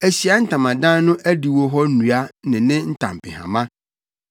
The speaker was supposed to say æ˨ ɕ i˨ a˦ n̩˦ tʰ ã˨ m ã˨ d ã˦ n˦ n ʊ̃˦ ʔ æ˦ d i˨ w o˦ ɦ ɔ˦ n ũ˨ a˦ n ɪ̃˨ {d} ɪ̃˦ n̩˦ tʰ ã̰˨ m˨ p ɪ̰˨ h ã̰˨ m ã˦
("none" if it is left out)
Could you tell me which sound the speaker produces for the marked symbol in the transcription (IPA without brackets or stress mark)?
n